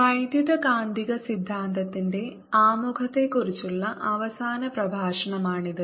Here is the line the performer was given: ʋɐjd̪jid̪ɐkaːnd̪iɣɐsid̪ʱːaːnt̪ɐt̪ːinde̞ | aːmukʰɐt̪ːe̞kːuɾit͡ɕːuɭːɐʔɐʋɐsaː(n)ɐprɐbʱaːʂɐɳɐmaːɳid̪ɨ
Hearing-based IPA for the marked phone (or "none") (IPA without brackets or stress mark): n